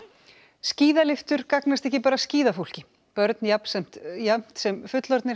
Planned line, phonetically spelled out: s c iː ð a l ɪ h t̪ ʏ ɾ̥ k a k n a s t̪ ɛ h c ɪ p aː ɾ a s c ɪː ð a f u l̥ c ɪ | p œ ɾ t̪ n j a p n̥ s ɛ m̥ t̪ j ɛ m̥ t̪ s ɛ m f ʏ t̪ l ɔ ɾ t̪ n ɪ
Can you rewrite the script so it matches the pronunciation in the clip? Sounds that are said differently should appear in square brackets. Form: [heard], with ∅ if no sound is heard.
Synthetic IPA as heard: s c iː ð a l ɪ [f] t̪ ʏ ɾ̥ k a k n a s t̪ ɛ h c ɪ p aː ɾ a s c [iː] ð a f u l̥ c ɪ | p œ ɾ t̪ n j a p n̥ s ɛ m̥ t̪ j [a] m̥ t̪ s ɛ m f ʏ t̪ l ɔ ɾ t̪ n ɪ